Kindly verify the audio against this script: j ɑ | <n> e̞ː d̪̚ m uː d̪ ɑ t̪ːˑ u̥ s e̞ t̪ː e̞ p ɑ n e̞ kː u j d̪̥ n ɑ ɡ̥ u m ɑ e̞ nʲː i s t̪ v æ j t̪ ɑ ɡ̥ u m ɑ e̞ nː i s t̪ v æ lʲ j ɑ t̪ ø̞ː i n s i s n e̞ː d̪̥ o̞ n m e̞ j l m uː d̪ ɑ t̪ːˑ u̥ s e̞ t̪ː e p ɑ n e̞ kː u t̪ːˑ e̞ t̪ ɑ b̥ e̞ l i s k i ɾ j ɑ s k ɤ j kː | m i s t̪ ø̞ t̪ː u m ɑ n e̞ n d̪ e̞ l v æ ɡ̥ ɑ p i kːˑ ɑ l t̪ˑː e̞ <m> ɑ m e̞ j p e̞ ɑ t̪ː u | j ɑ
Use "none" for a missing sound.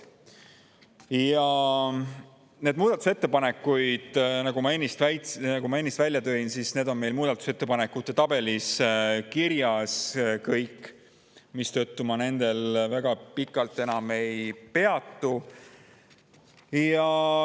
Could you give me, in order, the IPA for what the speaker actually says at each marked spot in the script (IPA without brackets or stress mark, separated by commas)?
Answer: n, n